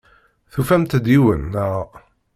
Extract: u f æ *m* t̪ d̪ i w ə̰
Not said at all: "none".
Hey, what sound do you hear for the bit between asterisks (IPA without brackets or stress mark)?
m